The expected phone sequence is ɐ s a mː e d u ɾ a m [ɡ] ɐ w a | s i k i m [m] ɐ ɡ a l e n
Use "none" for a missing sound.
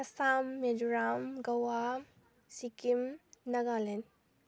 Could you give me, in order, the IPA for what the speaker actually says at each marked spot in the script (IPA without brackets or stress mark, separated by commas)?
ɡ, n